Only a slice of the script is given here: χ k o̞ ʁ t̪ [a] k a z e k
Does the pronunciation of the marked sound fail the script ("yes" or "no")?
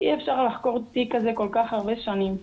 yes